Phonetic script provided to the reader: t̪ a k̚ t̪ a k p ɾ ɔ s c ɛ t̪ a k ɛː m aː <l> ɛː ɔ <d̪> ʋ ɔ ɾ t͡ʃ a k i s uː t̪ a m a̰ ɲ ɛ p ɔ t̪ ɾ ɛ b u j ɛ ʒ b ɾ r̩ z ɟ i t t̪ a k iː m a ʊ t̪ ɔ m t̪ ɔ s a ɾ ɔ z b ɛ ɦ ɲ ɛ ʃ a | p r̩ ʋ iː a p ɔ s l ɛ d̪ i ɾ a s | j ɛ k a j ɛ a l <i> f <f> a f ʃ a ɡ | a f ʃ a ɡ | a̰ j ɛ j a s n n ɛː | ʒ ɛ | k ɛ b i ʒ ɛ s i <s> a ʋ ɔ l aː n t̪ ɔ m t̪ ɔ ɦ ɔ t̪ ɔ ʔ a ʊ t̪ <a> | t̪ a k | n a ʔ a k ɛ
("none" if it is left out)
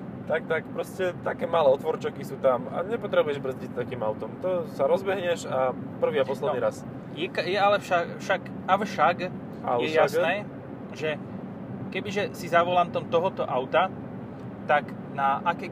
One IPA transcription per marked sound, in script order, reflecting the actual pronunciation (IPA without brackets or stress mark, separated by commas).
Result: l, t̪, ɛ, ʃ, z, a